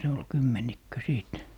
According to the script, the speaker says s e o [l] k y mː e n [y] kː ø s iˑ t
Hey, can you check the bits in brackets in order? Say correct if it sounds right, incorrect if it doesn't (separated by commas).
correct, incorrect